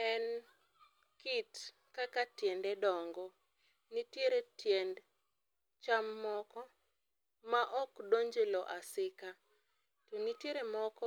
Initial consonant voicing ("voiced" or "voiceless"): voiced